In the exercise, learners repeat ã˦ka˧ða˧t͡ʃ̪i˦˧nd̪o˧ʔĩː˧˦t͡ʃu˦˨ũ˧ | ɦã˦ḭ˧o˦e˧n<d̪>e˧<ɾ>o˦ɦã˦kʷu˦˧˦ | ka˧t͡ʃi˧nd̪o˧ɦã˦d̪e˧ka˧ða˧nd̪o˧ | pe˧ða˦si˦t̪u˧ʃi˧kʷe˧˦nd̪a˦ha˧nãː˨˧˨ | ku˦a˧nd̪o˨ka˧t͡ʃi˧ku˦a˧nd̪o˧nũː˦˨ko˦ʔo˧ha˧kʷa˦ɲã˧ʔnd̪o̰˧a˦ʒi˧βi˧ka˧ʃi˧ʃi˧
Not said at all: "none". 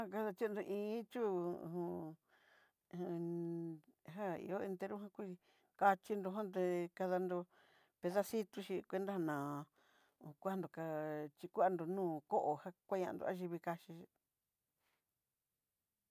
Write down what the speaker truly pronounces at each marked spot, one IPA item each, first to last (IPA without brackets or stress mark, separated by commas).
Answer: t̪, ɾ